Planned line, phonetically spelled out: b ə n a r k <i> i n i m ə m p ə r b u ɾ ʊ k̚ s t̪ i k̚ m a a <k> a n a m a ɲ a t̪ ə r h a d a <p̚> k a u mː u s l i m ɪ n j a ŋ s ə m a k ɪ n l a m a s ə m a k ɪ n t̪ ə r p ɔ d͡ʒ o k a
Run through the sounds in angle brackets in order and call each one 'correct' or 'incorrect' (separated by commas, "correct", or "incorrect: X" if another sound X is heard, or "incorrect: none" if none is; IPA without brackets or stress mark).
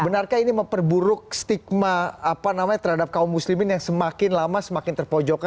incorrect: a, incorrect: p, correct